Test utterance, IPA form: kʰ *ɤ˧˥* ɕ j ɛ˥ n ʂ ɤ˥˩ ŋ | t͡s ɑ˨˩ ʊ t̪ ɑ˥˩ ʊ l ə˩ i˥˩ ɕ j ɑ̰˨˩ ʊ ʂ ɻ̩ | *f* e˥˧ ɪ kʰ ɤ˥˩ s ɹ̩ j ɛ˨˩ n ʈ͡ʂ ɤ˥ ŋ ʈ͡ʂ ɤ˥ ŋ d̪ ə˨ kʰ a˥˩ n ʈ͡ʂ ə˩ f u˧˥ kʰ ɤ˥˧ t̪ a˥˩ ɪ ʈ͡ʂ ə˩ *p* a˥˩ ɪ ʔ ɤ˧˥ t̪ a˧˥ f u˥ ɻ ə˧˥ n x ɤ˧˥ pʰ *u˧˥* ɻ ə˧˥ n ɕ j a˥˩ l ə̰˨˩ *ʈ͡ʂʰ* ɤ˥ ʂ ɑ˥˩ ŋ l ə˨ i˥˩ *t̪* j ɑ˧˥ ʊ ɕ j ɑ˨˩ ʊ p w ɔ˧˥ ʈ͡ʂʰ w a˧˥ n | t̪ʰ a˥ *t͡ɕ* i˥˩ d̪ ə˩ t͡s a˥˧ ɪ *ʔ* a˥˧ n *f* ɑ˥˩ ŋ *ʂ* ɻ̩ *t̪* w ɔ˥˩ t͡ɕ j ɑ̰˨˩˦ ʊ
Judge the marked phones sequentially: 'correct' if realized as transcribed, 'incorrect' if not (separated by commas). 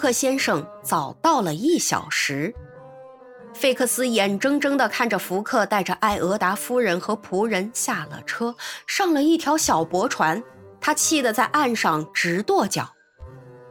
incorrect, correct, incorrect, correct, correct, incorrect, incorrect, correct, incorrect, incorrect, correct